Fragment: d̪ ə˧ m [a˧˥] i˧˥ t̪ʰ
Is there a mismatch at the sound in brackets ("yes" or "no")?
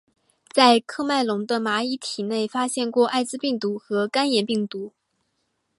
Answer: no